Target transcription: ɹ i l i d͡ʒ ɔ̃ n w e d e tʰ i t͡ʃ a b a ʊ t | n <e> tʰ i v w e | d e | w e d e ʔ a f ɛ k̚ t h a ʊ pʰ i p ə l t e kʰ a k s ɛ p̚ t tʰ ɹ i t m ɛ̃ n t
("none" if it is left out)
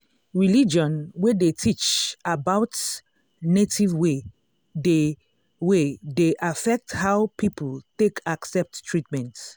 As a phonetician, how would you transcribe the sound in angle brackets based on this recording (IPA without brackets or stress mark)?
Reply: e